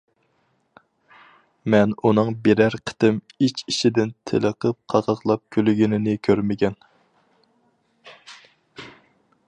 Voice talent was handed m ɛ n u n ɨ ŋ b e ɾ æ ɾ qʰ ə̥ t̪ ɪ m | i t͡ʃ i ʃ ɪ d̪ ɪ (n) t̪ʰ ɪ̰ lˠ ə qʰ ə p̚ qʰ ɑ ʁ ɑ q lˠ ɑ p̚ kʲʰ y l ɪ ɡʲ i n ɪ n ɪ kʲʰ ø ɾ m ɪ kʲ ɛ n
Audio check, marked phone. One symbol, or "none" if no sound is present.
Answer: n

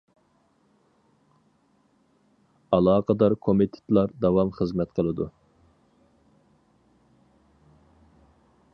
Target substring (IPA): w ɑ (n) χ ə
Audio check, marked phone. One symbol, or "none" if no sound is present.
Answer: m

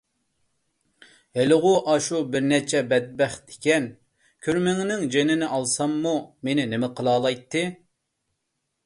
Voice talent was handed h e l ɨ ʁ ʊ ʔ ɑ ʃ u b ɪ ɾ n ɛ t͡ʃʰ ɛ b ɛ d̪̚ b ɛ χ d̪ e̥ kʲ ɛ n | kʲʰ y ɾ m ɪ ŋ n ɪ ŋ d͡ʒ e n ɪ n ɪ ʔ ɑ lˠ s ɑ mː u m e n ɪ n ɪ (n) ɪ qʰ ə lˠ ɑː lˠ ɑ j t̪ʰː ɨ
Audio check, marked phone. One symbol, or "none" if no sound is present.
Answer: m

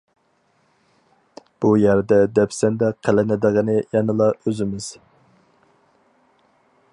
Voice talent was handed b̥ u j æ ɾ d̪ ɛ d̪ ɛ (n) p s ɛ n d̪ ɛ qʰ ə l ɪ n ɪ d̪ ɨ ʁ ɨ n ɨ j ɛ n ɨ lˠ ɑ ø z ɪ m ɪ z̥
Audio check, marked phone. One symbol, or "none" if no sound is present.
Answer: none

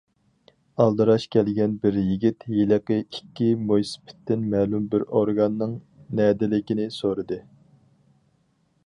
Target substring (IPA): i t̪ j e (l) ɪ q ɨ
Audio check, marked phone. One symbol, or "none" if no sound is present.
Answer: l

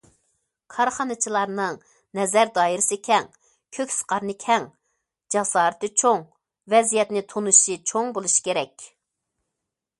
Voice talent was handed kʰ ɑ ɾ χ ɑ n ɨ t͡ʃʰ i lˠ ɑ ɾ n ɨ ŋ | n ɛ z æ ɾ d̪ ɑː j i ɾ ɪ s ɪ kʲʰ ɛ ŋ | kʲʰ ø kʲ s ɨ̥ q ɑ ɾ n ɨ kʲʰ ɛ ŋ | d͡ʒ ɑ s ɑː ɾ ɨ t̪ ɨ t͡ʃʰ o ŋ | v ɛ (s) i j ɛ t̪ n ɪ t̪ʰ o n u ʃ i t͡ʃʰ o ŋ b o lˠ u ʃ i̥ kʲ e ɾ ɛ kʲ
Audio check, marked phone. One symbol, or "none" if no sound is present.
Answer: z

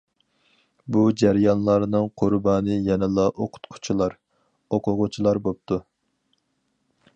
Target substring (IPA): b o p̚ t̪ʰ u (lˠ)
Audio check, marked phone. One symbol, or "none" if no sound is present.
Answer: none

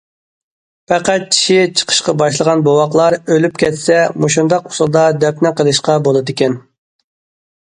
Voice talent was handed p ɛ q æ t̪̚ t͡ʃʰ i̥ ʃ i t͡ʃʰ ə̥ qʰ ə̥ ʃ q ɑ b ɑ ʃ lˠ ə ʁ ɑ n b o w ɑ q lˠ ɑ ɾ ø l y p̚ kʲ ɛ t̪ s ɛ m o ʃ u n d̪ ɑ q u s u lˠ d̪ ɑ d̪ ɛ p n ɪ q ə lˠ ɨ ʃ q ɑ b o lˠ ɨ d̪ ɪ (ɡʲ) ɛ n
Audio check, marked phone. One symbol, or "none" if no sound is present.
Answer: kʲ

